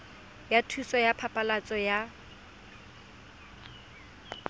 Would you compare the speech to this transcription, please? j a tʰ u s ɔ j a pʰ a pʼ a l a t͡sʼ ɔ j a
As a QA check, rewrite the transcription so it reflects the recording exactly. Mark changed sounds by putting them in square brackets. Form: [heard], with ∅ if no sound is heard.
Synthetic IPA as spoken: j a tʰ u s ɔ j a pʰ a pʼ a l a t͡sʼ ɔ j a